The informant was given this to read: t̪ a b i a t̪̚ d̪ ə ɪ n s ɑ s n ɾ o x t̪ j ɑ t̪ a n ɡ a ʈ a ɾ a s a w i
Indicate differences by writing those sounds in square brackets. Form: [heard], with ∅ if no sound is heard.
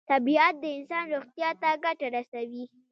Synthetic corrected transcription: t̪ a b i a t̪̚ d̪ ə ɪ n s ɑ [∅] n ɾ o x t̪ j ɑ t̪ a [∅] ɡ a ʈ a ɾ a s a w i